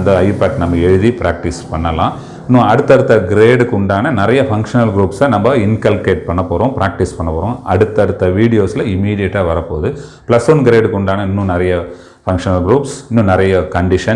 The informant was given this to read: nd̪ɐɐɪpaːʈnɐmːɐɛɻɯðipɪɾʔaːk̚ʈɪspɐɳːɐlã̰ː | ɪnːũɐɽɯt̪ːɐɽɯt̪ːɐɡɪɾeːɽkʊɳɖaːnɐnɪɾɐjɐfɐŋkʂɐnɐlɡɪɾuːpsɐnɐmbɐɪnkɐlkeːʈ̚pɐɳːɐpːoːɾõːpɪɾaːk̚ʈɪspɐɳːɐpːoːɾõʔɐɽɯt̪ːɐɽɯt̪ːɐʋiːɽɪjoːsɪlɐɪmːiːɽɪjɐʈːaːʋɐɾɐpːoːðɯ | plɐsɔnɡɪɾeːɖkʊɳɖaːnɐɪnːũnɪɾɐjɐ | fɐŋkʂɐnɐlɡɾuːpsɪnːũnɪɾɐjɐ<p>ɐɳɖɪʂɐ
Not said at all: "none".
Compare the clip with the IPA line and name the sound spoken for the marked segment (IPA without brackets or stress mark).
k